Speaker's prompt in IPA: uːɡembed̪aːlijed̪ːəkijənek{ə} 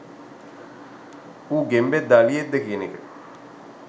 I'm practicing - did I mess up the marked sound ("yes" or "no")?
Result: no